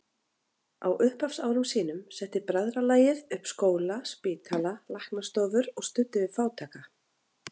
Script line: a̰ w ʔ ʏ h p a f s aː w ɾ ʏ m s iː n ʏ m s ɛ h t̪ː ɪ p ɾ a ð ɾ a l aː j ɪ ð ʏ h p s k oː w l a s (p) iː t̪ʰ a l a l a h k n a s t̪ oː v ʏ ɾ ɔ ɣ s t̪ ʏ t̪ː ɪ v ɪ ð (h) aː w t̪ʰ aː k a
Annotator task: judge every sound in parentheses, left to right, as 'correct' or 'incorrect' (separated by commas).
correct, incorrect